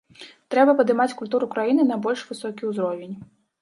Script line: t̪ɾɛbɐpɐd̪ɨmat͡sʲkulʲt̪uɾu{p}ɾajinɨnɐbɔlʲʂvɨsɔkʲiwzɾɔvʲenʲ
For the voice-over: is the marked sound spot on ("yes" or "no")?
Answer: no